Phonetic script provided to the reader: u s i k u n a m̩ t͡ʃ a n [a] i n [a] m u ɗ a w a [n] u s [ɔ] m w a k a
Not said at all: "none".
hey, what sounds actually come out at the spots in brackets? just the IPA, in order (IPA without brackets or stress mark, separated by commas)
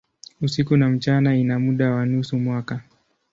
a, a, n, u